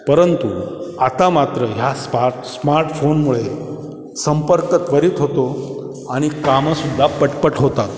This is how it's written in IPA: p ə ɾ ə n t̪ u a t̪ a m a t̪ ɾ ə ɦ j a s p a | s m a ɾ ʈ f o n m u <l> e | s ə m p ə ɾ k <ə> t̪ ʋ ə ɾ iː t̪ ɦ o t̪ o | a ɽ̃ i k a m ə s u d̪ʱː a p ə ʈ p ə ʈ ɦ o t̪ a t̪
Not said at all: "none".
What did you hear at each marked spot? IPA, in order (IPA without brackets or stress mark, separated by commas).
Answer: ɭ, ə